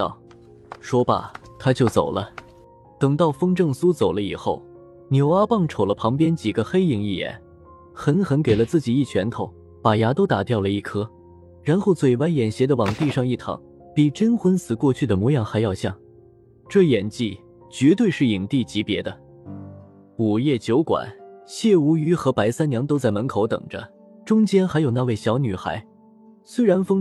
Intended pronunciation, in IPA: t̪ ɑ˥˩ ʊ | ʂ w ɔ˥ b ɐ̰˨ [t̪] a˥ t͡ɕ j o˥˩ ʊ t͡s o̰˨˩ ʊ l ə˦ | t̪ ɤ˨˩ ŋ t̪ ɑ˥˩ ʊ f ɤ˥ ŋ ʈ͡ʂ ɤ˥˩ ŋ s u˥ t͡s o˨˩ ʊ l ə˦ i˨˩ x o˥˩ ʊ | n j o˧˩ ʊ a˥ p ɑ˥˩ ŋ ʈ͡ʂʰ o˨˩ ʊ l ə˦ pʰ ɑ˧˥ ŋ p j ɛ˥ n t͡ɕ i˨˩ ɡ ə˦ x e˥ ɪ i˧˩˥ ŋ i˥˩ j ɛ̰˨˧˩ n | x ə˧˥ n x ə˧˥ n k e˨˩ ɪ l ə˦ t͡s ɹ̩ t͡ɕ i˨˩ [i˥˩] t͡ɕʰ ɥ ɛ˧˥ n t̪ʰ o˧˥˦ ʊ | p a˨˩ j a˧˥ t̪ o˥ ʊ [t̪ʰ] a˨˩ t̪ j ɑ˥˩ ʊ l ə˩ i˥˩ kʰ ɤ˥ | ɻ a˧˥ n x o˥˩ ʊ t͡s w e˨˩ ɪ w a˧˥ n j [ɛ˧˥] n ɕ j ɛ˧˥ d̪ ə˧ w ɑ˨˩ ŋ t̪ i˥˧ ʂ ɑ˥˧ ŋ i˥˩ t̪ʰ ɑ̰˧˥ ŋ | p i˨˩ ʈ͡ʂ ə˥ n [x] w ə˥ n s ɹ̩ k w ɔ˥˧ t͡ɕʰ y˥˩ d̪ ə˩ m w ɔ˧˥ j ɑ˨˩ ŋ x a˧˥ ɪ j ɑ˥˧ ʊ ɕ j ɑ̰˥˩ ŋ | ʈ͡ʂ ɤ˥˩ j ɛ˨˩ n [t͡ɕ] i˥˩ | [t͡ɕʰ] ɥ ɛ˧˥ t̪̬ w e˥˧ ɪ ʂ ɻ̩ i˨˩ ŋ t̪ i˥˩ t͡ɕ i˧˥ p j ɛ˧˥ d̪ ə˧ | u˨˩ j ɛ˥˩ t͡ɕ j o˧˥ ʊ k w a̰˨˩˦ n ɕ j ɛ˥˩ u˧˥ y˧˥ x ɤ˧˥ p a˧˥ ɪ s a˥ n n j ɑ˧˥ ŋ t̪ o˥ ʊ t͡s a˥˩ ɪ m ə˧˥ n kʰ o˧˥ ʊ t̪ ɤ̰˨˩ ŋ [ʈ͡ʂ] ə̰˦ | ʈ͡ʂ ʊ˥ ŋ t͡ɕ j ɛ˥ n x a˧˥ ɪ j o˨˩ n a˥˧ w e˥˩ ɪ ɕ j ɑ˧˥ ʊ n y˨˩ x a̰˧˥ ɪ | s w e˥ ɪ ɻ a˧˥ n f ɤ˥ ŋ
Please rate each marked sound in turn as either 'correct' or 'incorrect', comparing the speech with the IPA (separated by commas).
incorrect, correct, incorrect, incorrect, correct, correct, incorrect, correct